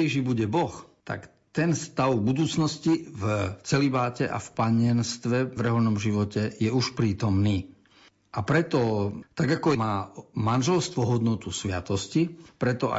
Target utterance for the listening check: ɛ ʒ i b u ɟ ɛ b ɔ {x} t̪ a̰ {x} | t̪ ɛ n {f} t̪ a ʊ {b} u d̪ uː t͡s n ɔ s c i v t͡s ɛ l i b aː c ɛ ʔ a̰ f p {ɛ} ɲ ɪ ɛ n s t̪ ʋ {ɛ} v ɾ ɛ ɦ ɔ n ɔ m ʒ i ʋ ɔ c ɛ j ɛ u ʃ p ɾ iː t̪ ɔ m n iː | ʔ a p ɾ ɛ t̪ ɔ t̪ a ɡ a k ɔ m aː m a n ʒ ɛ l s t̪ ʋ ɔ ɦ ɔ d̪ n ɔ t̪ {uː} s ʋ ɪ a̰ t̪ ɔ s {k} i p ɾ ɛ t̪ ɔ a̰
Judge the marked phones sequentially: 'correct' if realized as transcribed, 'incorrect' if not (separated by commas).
correct, incorrect, incorrect, correct, incorrect, correct, incorrect, incorrect